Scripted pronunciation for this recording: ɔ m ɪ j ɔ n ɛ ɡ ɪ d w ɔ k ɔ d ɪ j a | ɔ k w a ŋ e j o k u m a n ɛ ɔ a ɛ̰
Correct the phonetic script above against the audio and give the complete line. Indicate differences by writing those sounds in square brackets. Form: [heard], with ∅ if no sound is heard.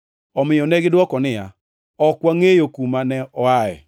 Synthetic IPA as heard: ɔ m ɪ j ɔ n ɛ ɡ ɪ d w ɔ k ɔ [n] ɪ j a | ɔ k w a ŋ e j o k u m a n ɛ ɔ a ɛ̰